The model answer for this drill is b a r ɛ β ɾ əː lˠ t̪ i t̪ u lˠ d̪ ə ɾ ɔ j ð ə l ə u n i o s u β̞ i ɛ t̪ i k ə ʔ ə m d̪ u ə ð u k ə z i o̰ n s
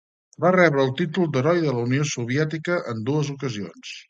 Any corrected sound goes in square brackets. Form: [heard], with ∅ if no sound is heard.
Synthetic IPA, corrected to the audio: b a r ɛ β ɾ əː lˠ t̪ i t̪ u lˠ d̪ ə ɾ ɔ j ð ə l ə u n i o s u β̞ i ɛ t̪ i k ə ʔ ə [n] d̪ u ə [z] u k ə z i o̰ n s